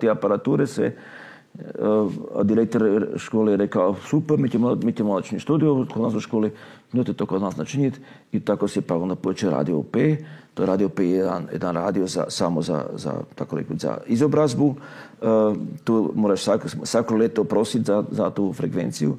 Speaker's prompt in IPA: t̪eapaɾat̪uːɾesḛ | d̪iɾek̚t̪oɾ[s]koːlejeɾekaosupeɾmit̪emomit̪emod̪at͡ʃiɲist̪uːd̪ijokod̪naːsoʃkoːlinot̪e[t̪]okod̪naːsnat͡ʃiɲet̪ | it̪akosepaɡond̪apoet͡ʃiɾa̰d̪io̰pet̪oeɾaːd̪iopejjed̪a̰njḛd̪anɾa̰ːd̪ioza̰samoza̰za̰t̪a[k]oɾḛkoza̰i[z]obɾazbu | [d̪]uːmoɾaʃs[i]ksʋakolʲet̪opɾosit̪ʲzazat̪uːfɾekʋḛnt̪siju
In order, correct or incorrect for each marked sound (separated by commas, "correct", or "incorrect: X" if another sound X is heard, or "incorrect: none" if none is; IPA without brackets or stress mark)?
incorrect: ʃ, correct, correct, correct, incorrect: t̪, incorrect: a